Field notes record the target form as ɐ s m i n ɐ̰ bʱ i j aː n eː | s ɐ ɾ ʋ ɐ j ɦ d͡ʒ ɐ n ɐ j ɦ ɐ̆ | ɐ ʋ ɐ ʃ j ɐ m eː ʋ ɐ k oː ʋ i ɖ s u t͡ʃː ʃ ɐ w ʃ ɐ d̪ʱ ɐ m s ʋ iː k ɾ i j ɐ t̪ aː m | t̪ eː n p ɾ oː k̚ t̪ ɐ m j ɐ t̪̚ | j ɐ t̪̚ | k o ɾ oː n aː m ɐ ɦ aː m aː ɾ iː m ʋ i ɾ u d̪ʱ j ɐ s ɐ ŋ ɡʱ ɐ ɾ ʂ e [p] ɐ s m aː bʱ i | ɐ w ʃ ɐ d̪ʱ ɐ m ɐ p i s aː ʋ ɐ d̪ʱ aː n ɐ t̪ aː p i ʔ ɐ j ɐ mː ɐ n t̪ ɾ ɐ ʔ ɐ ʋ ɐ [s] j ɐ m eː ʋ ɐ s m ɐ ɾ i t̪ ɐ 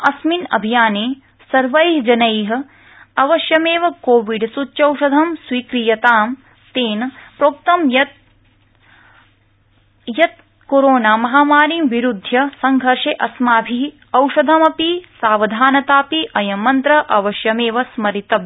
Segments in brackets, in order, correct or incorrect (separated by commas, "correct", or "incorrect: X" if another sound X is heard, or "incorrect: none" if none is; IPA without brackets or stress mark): incorrect: ʔ, incorrect: ʃ